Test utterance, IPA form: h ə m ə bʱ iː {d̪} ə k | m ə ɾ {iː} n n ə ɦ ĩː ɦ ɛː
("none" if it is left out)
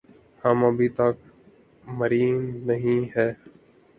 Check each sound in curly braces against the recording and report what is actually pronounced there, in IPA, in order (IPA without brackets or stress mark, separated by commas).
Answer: t̪, iː